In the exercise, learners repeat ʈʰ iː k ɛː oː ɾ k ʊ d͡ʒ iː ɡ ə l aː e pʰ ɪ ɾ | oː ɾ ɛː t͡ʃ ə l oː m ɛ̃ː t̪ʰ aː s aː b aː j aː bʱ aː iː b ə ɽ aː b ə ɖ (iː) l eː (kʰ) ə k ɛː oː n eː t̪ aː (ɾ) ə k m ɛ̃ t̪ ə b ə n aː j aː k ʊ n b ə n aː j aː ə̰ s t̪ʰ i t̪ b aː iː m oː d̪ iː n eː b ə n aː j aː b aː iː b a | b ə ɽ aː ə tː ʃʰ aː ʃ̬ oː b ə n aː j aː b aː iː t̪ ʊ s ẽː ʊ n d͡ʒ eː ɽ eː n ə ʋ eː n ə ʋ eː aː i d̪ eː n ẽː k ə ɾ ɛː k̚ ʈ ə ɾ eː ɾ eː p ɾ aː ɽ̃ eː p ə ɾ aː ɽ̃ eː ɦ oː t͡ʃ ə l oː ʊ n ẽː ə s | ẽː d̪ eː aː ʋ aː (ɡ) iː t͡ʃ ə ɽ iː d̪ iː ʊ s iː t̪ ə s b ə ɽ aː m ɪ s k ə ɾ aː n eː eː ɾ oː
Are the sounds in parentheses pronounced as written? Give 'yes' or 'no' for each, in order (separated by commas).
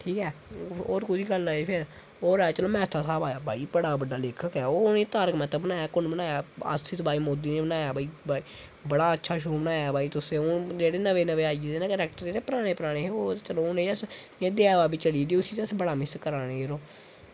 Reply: no, yes, yes, no